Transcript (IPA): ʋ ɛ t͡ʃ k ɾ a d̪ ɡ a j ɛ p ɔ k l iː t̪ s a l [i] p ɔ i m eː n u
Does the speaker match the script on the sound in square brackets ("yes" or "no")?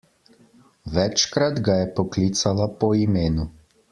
no